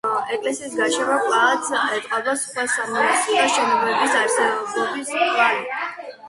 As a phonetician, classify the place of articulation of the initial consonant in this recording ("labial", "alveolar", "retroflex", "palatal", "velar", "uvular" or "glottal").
velar